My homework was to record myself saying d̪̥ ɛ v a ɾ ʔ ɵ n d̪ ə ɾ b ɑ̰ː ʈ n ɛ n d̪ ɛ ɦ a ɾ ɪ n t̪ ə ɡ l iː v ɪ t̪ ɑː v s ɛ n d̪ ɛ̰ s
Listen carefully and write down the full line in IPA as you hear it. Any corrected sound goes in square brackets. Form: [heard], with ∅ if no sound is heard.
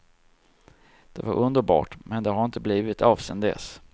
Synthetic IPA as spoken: d̪̥ ɛ v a ɾ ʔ ɵ n d̪ ə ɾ b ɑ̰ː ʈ [m] ɛ n d̪ ɛ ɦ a ɾ ɪ n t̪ ə [b] l iː v ɪ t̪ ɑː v s ɛ n d̪ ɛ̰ s